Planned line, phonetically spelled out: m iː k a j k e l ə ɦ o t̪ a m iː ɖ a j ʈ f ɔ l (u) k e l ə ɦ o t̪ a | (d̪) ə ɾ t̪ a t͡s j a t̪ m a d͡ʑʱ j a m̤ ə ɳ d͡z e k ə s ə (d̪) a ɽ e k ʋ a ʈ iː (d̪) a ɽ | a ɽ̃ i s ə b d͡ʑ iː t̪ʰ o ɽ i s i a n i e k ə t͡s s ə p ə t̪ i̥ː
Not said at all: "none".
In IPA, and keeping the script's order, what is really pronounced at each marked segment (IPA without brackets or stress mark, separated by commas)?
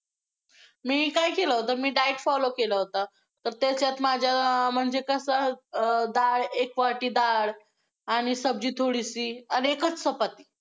o, t̪, d̪, d̪